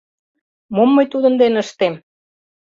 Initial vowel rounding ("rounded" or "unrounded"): rounded